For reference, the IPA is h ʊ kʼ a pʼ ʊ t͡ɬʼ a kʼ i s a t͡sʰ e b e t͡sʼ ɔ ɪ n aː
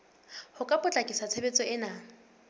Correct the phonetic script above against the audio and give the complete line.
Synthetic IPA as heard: h ʊ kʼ a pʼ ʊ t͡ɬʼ a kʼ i s a t͡sʰ e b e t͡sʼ ɔ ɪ n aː